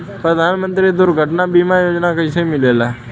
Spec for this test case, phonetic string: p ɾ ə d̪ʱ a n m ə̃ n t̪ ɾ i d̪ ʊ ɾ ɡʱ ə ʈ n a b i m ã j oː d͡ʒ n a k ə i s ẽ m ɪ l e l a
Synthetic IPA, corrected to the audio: p ɾ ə d̪ʱ a n m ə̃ n t̪ ɾ i d̪ ʊ ɾ ɡʱ ə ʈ n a b i m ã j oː d͡ʒ n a k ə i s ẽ m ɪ l e l a